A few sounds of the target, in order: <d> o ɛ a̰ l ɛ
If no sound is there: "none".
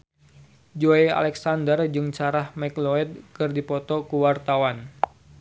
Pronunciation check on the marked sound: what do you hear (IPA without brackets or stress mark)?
d͡ʒ